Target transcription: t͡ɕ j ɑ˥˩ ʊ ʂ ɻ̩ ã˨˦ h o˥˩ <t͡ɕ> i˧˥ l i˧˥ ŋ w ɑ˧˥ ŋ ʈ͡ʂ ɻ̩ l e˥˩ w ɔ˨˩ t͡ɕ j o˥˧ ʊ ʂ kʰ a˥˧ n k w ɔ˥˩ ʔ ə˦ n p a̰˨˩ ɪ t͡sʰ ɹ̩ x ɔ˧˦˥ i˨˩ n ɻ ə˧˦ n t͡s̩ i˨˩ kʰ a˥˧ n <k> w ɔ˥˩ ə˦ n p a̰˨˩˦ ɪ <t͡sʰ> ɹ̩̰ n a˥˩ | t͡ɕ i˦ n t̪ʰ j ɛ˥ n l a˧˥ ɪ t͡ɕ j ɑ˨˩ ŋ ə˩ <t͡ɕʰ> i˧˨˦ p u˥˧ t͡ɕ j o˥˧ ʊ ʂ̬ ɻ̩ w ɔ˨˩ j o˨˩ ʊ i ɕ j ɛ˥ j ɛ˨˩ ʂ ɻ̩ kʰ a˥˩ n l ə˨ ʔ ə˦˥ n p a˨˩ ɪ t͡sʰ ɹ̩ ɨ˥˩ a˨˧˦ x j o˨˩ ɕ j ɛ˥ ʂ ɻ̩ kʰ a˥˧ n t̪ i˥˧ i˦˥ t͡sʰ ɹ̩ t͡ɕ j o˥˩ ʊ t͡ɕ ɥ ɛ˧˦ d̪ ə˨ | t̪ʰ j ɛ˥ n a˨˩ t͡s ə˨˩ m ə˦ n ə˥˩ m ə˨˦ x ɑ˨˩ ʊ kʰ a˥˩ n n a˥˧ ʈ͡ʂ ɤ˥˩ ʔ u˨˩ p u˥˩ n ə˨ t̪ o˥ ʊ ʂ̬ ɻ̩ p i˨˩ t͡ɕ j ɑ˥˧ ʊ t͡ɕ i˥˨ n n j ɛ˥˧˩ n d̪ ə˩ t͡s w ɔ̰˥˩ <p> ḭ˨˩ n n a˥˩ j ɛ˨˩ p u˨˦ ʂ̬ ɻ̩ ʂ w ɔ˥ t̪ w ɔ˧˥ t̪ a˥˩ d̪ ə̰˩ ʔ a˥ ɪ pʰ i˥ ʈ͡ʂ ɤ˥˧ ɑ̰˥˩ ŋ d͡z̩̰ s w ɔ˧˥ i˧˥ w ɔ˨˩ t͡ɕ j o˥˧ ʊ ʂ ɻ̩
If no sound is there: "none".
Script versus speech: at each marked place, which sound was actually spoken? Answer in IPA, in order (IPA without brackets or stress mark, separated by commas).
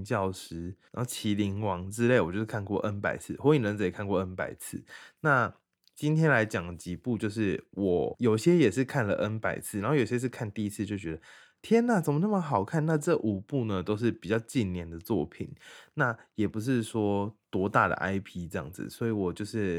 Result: t͡ɕʰ, k, t͡sʰ, t͡ɕ, pʰ